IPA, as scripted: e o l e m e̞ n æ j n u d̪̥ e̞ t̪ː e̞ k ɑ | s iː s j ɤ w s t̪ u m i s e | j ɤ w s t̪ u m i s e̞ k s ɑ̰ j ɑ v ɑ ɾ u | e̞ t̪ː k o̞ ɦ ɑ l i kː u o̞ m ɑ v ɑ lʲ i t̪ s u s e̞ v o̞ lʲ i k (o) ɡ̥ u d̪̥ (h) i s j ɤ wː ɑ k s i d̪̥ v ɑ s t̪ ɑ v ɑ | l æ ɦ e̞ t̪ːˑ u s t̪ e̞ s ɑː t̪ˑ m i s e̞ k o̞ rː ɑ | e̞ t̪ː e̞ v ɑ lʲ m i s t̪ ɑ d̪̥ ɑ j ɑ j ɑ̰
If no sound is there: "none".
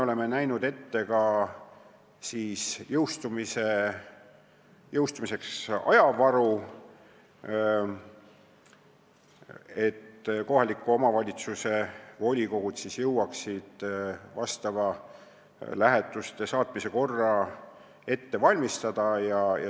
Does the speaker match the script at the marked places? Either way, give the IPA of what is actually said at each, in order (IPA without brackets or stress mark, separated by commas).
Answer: o, s